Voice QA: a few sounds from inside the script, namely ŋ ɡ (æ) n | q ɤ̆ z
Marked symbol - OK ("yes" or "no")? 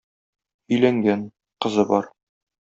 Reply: yes